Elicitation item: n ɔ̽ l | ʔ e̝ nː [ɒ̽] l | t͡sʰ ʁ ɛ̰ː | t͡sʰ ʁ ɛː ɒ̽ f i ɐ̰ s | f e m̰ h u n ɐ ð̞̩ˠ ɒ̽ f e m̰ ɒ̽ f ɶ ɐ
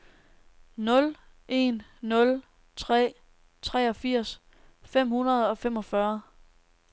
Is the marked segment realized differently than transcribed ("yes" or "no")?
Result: yes